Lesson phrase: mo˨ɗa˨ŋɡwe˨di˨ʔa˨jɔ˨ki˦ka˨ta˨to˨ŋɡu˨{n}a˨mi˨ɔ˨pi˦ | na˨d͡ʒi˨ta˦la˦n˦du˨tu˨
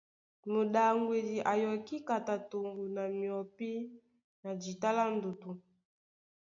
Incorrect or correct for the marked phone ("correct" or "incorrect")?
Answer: correct